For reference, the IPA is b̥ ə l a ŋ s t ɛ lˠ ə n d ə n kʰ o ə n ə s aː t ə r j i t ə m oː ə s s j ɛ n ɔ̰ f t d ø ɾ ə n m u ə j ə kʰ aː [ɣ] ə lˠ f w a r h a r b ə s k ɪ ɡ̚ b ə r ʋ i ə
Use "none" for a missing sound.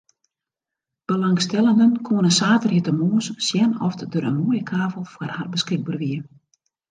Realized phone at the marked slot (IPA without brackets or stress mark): v